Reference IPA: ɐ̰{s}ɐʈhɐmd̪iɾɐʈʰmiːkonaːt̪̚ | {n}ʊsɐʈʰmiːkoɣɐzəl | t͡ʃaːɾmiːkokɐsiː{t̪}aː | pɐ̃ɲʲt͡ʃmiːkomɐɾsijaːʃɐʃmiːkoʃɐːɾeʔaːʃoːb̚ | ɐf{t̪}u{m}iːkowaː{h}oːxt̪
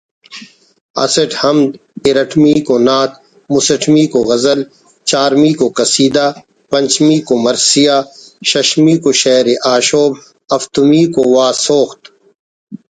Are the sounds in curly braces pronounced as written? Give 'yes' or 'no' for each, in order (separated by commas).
yes, no, no, yes, yes, no